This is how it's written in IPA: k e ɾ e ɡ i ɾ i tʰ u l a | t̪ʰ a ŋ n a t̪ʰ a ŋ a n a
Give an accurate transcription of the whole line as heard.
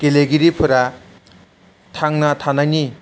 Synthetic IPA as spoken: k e l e ɡ i ɾ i pʰ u ɾ a | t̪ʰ a ŋ n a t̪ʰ a n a n i